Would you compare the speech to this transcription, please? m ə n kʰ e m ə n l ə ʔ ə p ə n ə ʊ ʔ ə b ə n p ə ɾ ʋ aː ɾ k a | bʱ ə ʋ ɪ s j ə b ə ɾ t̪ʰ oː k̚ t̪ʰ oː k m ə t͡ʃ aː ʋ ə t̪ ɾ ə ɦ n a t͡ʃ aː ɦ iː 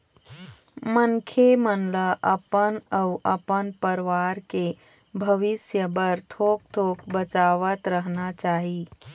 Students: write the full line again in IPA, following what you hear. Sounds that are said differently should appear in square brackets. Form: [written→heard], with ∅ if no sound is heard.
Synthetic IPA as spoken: m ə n kʰ e m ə n l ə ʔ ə p ə n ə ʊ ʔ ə [b→p] ə n p ə ɾ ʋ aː ɾ k [a→e] | bʱ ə ʋ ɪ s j ə b ə ɾ t̪ʰ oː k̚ t̪ʰ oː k [m→b] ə t͡ʃ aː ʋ ə t̪ ɾ ə ɦ n a t͡ʃ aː ɦ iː